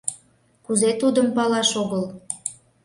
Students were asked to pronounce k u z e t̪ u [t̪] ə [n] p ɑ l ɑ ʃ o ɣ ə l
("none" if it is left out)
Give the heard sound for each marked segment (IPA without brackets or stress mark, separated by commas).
d̪, m